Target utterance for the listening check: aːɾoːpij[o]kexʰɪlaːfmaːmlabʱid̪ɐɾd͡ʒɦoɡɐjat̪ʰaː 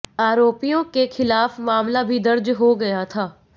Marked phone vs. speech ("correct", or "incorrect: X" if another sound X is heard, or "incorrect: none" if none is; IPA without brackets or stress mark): incorrect: õ